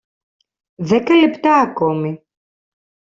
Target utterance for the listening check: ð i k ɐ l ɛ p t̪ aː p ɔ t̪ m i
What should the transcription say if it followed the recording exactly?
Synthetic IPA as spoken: ð ɛ k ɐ l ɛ p t̪ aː k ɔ m i